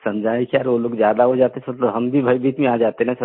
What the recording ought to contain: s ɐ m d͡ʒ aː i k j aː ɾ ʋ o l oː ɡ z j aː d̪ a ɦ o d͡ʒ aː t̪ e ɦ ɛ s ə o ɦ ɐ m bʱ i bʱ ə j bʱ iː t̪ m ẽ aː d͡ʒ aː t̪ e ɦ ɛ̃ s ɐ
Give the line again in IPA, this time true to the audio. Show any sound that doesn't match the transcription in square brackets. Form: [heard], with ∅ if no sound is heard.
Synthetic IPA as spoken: s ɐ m d͡ʒ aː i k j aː ɾ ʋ o l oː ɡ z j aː d̪ a ɦ o d͡ʒ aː t̪ e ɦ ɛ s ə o ɦ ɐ m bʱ i bʱ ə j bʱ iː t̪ m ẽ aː d͡ʒ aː t̪ e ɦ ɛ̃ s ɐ

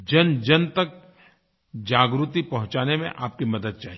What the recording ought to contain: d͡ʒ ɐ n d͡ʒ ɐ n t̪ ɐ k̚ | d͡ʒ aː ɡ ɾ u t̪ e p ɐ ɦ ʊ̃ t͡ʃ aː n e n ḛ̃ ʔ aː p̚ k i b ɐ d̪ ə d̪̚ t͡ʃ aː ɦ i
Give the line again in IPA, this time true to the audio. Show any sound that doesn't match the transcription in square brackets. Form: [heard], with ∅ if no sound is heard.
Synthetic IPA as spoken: d͡ʒ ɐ n d͡ʒ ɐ n t̪ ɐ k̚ | d͡ʒ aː ɡ ɾ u t̪ [i] p ɐ ɦ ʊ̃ t͡ʃ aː n e [m] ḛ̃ ʔ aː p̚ k i [m] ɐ d̪ ə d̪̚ t͡ʃ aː ɦ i

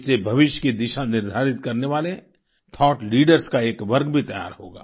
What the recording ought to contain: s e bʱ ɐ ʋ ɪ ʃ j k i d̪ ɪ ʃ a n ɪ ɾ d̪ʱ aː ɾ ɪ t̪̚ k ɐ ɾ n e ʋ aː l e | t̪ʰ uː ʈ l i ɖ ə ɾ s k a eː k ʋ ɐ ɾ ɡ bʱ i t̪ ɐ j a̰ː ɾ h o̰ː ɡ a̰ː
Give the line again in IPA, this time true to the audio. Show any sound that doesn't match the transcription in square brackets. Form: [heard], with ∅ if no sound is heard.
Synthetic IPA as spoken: s e bʱ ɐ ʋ ɪ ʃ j k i d̪ ɪ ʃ a n ɪ ɾ d̪ʱ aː ɾ ɪ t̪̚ k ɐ ɾ n e ʋ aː l e | t̪ʰ [ɔː] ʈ l [iː] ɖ ə ɾ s k a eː k ʋ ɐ ɾ ɡ bʱ i t̪ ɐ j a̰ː ɾ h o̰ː ɡ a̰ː

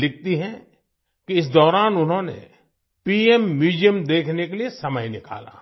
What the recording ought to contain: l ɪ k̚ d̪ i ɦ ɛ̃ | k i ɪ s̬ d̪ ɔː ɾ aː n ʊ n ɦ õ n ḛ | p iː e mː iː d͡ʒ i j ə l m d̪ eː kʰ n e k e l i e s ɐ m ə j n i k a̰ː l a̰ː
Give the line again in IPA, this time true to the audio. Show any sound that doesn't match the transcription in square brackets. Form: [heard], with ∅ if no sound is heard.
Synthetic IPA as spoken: l ɪ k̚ [t̪] i ɦ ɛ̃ | k i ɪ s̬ d̪ ɔː ɾ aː n ʊ n ɦ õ n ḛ | p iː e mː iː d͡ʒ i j ə [∅] m d̪ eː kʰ n e k e l i e s ɐ m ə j n [ɪ] k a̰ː l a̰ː

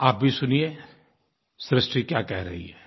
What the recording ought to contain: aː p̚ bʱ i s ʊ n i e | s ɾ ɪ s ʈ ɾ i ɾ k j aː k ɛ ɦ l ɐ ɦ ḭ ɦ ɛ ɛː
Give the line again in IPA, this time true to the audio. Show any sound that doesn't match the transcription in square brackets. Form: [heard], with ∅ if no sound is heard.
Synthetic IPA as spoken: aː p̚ bʱ i s ʊ n i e | s ɾ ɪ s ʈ ɾ i [∅] k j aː k ɛ ɦ [ɾ] ɐ ɦ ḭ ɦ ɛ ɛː

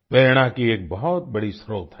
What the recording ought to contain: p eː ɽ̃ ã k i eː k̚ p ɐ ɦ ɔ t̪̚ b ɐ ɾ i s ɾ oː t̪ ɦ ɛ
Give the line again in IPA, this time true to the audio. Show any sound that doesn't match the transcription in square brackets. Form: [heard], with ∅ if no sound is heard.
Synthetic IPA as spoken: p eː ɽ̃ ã k i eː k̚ [b] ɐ ɦ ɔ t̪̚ b ɐ [ɽ] i s ɾ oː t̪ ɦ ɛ

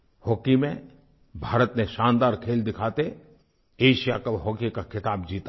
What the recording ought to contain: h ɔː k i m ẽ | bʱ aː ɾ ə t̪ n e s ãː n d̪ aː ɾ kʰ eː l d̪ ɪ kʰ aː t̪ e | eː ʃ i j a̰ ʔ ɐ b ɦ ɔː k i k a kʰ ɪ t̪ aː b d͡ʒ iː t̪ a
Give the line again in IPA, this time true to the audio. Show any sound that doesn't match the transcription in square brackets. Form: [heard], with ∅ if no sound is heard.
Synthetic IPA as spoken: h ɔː k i m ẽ | bʱ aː ɾ ə t̪ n e [ʃ] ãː n d̪ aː ɾ kʰ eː l d̪ ɪ kʰ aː t̪ e | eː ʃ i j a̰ [k] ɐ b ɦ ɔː k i k a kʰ ɪ t̪ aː b d͡ʒ iː t̪ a

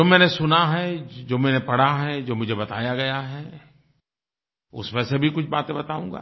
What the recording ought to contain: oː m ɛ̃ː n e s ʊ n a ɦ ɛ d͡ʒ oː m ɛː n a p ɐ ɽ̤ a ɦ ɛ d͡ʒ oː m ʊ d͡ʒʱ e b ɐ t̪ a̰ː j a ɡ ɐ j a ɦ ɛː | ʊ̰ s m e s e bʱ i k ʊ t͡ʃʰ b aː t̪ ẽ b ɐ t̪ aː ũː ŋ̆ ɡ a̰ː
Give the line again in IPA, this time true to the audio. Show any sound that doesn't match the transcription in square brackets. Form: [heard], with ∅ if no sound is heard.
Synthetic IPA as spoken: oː m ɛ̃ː n e s ʊ n a ɦ ɛ d͡ʒ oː m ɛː n [e] p ɐ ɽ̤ a ɦ ɛ d͡ʒ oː m ʊ d͡ʒʱ e b ɐ t̪ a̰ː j a ɡ ɐ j a ɦ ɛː | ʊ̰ s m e s e bʱ i k ʊ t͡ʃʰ b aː t̪ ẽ b ɐ t̪ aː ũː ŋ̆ ɡ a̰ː

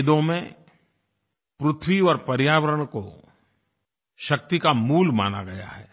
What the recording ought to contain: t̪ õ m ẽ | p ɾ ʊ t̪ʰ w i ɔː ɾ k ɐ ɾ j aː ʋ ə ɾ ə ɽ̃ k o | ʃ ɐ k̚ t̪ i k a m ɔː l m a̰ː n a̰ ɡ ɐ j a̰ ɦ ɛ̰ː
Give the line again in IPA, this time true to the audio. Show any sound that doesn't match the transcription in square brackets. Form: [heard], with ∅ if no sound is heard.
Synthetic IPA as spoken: [d̪] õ m ẽ | p ɾ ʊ t̪ʰ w i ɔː ɾ [p] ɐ ɾ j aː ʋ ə ɾ ə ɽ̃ k o | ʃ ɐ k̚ t̪ i k a m [uː] l m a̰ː n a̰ ɡ ɐ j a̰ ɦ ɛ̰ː

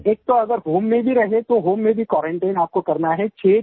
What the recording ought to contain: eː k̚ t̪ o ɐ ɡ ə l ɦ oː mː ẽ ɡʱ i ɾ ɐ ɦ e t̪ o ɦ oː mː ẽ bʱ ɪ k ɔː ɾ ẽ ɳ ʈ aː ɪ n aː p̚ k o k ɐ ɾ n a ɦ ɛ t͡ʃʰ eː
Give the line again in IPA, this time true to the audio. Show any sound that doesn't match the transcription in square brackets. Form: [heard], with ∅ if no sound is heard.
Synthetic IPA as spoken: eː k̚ t̪ o ɐ ɡ ə [ɾ] ɦ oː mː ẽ [bʱ] i ɾ ɐ ɦ e t̪ o ɦ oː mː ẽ bʱ [i] k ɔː ɾ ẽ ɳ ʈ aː ɪ n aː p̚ k o k ɐ ɾ n a ɦ ɛ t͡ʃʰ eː

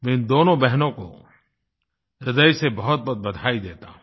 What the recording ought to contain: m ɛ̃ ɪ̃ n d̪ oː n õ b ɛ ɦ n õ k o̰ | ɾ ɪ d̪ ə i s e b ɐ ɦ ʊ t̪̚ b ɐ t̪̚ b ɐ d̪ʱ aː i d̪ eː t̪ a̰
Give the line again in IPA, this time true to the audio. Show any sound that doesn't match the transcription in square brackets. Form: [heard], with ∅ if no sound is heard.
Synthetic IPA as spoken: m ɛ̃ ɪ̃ n d̪ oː n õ b ɛ ɦ n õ k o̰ | ɾ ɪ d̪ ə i s e b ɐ ɦ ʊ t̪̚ b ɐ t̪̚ b ɐ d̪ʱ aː i d̪ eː t̪ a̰

